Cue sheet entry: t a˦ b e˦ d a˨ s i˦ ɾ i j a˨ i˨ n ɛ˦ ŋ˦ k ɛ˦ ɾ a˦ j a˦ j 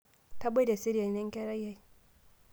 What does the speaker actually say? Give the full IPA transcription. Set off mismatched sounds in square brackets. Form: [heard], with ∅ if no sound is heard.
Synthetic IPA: t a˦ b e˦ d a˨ s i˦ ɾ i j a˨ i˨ n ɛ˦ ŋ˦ k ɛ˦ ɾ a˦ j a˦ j